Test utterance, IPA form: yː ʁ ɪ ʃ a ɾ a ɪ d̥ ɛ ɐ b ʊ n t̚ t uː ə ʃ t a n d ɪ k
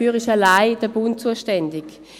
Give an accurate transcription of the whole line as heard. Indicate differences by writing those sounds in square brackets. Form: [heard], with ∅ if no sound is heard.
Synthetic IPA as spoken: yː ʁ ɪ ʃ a [l] a ɪ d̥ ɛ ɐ b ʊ n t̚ [t͡s] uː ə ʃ t [ɛ] n d ɪ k